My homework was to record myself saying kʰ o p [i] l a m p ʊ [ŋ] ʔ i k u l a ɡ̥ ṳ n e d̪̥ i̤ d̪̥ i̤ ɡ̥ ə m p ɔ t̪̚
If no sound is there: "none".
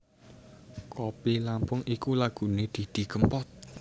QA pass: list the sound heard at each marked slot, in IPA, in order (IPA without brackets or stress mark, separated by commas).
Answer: i, ŋ